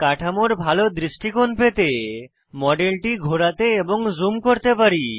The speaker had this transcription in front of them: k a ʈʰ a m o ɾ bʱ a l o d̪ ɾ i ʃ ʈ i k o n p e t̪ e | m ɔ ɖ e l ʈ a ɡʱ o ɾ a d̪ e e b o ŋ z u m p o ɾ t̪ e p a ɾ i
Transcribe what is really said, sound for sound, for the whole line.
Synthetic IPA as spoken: k a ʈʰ a m o ɾ bʱ a l o d̪ ɾ i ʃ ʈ i k o n p e t̪ e | m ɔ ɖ e l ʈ i ɡʱ o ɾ a t̪ e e b o ŋ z u m k o ɾ t̪ e p a ɾ i